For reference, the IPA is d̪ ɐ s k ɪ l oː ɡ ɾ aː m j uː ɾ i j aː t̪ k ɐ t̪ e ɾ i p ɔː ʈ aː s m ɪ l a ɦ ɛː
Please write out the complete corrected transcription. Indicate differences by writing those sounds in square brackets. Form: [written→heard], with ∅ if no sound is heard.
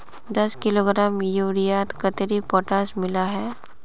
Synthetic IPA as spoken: d̪ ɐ s k ɪ l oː ɡ ɾ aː m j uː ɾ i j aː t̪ k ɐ t̪ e ɾ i p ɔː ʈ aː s m ɪ l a ɦ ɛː